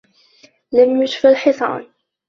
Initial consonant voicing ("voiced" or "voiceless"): voiced